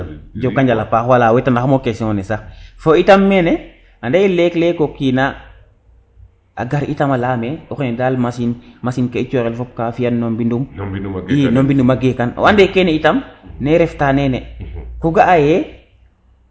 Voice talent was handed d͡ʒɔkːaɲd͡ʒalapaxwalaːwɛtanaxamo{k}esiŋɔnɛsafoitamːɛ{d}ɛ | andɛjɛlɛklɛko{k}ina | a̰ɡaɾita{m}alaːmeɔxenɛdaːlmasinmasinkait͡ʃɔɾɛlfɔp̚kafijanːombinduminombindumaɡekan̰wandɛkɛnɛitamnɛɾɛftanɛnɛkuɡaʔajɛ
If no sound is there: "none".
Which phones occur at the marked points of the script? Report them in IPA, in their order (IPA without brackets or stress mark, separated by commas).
k, n, k, m